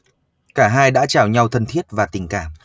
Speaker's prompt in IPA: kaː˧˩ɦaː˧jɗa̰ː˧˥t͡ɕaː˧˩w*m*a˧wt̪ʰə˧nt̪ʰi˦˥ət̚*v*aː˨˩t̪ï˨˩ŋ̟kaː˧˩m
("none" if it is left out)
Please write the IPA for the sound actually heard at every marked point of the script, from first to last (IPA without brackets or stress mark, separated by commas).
ɲ, v